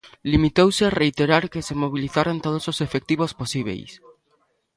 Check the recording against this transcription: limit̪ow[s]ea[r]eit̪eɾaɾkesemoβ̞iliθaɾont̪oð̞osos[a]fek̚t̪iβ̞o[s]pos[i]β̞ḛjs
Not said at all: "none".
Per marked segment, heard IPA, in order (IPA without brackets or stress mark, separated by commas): s, r, e, s, i